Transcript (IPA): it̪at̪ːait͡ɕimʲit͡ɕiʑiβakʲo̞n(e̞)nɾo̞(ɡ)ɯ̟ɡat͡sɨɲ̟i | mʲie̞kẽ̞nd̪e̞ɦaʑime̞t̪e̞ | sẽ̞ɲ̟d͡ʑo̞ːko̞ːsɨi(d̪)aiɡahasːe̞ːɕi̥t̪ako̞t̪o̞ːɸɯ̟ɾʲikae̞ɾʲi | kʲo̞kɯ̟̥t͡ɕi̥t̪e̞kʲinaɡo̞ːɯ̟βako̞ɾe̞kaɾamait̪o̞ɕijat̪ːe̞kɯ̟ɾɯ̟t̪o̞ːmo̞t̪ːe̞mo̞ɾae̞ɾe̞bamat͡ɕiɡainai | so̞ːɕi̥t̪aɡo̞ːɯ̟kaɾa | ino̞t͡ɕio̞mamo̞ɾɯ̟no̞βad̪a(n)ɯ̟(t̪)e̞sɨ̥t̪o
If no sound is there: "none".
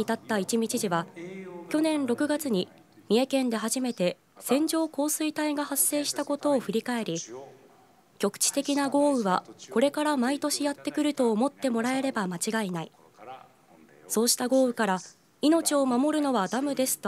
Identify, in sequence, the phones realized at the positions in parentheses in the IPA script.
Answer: ẽ̞, k, t̪, m, d̪

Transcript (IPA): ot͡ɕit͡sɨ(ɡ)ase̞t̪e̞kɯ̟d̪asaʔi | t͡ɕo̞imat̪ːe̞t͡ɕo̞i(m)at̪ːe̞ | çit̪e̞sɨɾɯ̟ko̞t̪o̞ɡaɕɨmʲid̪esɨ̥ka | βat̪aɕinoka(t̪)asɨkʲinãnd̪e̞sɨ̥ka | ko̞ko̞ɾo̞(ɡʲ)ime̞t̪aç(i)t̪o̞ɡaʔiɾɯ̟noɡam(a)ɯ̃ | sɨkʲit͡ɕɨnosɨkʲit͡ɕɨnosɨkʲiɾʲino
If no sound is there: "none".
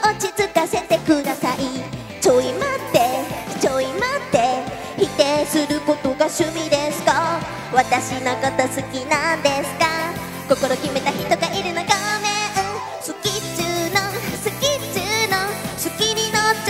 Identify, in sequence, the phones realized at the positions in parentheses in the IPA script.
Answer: k, m, t̪, kʲ, i, e

